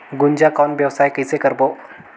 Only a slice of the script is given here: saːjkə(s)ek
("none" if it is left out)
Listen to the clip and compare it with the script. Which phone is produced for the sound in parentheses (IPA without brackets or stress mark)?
s